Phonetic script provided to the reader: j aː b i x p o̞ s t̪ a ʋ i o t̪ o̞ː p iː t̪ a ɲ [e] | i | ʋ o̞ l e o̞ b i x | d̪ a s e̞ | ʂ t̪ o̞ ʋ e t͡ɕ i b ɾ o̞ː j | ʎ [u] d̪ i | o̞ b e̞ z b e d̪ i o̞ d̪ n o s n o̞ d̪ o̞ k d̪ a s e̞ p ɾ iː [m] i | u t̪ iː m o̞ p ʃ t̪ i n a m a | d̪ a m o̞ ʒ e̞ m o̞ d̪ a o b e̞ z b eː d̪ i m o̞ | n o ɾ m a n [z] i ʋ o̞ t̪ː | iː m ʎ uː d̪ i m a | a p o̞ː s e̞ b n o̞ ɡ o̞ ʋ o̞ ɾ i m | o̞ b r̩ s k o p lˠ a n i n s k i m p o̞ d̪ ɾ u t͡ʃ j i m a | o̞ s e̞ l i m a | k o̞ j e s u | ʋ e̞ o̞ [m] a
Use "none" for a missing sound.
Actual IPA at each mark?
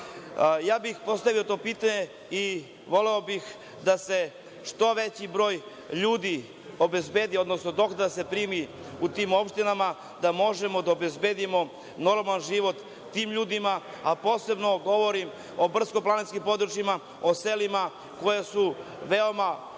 e, uː, m, ʒ, m

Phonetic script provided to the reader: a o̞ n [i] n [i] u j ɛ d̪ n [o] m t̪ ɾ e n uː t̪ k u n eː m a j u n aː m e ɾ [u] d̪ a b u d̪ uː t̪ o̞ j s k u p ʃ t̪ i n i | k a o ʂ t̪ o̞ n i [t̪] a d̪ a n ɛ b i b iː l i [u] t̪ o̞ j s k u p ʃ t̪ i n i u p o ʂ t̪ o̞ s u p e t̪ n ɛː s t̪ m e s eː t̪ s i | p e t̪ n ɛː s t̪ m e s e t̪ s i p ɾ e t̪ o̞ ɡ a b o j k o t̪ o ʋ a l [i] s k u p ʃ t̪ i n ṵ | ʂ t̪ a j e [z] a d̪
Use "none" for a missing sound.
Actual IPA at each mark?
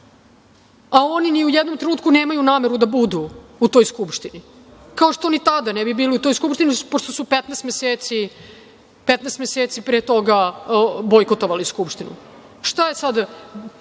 i, i, o, u, t̪, u, i, s

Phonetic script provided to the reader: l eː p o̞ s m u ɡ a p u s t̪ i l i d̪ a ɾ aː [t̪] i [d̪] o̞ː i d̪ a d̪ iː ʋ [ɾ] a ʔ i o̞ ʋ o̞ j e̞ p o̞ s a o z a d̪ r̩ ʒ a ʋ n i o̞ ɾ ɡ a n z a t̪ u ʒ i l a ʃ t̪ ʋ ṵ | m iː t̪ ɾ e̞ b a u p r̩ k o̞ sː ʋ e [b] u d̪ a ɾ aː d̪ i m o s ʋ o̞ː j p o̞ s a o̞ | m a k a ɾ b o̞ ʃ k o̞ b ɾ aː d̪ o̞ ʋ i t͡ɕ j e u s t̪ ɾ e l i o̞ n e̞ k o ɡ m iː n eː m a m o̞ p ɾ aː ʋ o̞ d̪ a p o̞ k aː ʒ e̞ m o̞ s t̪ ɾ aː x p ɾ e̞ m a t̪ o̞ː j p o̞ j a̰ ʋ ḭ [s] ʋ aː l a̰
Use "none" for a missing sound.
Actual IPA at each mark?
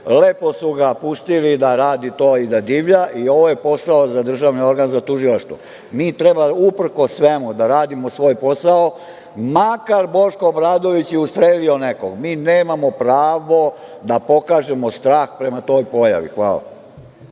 d̪, t̪, ʎ, m, x

